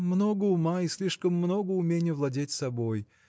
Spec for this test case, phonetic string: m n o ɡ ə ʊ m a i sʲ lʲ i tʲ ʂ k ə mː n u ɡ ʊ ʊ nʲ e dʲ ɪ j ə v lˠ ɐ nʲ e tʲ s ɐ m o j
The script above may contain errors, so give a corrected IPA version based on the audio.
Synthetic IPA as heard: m n o ɡ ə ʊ m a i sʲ lʲ i ʂ k ə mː n o ɡ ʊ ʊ mʲ e nʲ ɪ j ə v lˠ ɐ dʲ e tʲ s ɐ b o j

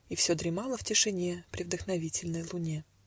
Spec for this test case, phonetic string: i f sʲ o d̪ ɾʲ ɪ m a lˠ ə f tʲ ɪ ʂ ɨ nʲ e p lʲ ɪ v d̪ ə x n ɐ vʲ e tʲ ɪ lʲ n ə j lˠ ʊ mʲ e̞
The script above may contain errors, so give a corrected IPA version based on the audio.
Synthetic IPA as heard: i f sʲ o d̪ ɾʲ ɪ m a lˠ ə f tʲ ɪ ʂ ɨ nʲ e p ɾʲ ɪ v d̪ ə x n ɐ vʲ i tʲ ɪ lʲ n ə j lˠ ʊ nʲ e̞

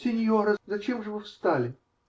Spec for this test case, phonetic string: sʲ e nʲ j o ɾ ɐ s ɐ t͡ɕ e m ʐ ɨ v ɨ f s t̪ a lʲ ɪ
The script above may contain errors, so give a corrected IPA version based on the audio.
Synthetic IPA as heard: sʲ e nʲ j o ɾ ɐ z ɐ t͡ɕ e m ʐ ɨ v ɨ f s t̪ a lʲ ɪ

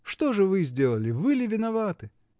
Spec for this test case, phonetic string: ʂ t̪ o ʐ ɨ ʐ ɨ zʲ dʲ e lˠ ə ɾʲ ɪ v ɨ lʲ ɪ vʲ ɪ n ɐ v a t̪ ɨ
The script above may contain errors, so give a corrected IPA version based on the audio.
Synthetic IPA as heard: ʂ t̪ o ʐ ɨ v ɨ zʲ dʲ e lˠ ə lʲ ɪ v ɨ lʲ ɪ vʲ ɪ n ɐ v a t̪ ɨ

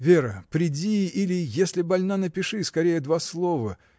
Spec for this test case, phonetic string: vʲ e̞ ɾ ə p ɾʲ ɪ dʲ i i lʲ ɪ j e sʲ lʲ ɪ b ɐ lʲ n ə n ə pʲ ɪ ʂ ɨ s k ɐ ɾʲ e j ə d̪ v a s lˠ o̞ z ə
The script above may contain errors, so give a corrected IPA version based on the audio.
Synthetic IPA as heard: vʲ e̞ ɾ ə p ɾʲ ɪ dʲ i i lʲ ɪ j e sʲ lʲ ɪ b ɐ lʲ n a n ə pʲ ɪ ʂ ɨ s k ɐ ɾʲ e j ə d̪ v a s lˠ o̞ v ə

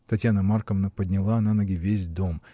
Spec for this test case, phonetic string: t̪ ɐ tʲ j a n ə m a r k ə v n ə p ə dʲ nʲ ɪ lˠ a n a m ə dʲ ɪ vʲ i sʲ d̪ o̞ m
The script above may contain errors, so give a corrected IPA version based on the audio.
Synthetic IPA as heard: t̪ ɐ tʲ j a n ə m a r k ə v n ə p ə dʲ nʲ ɪ lˠ a n a n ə ɡʲ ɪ vʲ e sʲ d̪ o̞ m

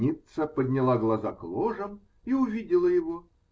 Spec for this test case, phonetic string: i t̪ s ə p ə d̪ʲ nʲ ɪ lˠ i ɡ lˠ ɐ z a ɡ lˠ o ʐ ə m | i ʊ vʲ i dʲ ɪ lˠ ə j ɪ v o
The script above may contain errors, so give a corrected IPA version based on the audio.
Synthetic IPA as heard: i t̪ s ə p ə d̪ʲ nʲ ɪ lˠ a ɡ lˠ ɐ z a k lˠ o ʐ ə m | i ʊ vʲ i dʲ ɪ lˠ ə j ɪ v o

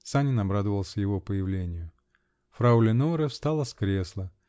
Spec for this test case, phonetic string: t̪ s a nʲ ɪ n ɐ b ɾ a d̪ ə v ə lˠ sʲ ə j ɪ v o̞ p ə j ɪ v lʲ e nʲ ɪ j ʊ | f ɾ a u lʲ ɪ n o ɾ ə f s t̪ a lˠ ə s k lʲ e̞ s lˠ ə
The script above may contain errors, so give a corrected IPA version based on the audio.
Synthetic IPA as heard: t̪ s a nʲ ɪ n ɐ b ɾ a d̪ ə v ə lˠ sʲ ə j ɪ v o̞ p ə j ɪ v lʲ e nʲ ɪ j ʊ | f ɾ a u lʲ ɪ n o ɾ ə f s t̪ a lˠ ə s k ɾʲ e̞ s lˠ ə

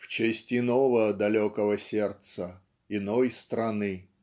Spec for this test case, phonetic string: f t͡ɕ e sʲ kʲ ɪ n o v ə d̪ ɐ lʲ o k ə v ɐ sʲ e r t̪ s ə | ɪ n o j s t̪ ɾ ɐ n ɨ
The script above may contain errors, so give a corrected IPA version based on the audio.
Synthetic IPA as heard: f t͡ɕ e sʲ tʲ ɪ n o v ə d̪ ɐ lʲ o k ə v ə sʲ e r t̪ s ə | ɪ n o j s t̪ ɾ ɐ n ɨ

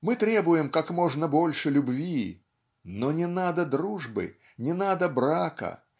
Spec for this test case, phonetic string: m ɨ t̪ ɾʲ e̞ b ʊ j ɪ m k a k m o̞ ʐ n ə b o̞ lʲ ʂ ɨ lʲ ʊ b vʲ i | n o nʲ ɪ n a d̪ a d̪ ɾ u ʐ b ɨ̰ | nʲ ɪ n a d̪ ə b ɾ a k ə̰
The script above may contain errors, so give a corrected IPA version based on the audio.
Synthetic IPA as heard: m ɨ t̪ ɾʲ e̞ b ʊ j ɪ m k a k m o̞ ʐ n ə b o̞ lʲ ʂ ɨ lʲ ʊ b vʲ i | n o nʲ ɪ n a d̪ ə d̪ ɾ u ʐ b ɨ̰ | nʲ ɪ n a d̪ ə b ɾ a k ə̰

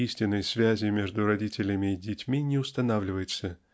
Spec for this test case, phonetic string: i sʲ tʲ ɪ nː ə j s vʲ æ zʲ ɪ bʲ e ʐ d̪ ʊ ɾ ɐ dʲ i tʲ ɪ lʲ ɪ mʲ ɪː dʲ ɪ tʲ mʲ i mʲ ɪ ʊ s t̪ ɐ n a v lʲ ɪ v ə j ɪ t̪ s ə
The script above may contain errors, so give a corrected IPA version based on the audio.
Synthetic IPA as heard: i sʲ tʲ ɪ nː ə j s vʲ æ zʲ ɪ mʲ e ʐ d̪ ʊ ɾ ɐ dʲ i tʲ ɪ lʲ ɪ mʲ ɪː dʲ ɪ tʲ mʲ i nʲ ɪ ʊ s t̪ ɐ n a v lʲ ɪ v ə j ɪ t̪ s ə

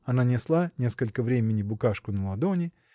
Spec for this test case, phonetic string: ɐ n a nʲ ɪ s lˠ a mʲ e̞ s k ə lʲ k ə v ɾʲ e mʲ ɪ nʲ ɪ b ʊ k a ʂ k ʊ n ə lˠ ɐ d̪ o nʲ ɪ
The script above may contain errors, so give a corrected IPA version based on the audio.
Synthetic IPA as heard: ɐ n a nʲ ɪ s lˠ a nʲ e̞ s k ə lʲ k ə v ɾʲ e mʲ ɪ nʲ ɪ b ʊ k a ʂ k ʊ n ə lˠ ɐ d̪ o nʲ ɪ

